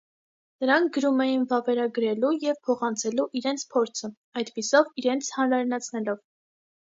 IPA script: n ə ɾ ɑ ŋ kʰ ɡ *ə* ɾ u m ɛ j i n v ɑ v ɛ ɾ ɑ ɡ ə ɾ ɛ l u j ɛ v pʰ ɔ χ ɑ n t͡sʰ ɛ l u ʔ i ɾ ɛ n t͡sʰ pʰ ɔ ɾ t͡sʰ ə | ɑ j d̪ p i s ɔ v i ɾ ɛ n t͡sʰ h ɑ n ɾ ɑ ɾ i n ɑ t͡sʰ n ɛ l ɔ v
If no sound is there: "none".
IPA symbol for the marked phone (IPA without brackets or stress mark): ə